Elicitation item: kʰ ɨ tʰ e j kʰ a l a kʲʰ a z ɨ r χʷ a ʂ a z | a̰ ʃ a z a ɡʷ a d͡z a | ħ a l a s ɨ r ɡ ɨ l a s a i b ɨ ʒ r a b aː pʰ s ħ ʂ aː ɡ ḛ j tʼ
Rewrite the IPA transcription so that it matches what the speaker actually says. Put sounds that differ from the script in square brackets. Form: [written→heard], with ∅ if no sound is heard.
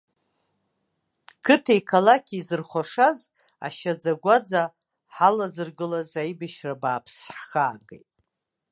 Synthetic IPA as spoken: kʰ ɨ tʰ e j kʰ a l a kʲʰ [a→i] z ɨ r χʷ a ʂ a z | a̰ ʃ a [z→d͡z] a ɡʷ a d͡z a | ħ a l a [s→z] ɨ r ɡ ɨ l a [s→z] a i b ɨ [ʒ→ʃ] r a b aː pʰ s ħ [ʂ→χ] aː ɡ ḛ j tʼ

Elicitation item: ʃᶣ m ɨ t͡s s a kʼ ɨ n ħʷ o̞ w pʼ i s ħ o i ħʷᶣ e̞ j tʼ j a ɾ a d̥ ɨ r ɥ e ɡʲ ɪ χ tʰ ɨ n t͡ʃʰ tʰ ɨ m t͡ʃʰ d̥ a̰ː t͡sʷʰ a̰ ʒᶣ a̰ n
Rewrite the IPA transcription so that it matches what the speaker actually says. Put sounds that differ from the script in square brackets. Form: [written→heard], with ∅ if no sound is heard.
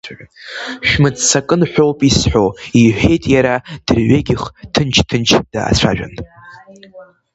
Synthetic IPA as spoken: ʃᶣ m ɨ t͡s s a kʼ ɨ n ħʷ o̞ w pʼ i s ħ o i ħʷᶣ e̞ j tʼ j a ɾ a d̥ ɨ r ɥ e ɡʲ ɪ χ tʰ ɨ n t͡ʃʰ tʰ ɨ [m→n] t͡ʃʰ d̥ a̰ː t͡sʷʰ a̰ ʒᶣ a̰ n

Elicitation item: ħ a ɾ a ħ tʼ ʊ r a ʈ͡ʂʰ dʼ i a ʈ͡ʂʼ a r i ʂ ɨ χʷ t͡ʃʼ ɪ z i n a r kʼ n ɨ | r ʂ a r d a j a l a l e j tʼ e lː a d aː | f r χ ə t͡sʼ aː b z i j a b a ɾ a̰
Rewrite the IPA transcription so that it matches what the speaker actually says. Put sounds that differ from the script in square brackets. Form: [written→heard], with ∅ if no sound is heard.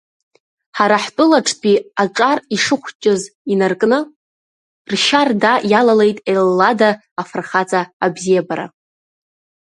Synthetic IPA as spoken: ħ a ɾ a ħ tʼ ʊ [r→l] a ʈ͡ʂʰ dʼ i a ʈ͡ʂʼ a r i ʂ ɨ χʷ t͡ʃʼ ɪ z i n a r kʼ n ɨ | r [ʂ→ʃ] a r d a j a l a l e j tʼ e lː a d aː | f r χ [ə→a] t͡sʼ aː b z i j a b a ɾ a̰

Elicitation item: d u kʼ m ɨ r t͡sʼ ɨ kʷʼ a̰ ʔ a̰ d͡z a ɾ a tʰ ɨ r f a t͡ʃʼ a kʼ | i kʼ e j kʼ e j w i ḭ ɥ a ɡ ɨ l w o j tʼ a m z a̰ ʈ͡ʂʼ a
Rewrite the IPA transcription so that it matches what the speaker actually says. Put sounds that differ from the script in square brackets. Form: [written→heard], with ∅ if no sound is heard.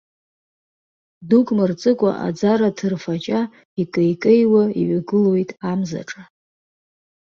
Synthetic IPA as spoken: d u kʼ m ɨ r t͡sʼ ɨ kʷʼ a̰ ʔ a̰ d͡z a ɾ a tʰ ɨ r f a t͡ʃʼ a [kʼ→∅] | i kʼ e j kʼ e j w [i→a] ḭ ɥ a ɡ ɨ l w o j tʼ a m z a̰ ʈ͡ʂʼ a

